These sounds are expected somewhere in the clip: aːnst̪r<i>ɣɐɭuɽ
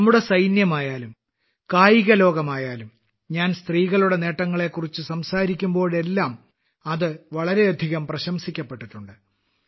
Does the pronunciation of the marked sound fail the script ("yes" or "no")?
yes